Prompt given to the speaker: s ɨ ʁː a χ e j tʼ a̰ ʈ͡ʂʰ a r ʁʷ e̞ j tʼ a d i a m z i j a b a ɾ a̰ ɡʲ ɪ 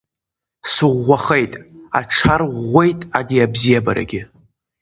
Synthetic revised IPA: s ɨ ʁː a χ e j tʼ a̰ ʈ͡ʂʰ a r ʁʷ e̞ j tʼ a d i a b z i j a b a ɾ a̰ ɡʲ ɪ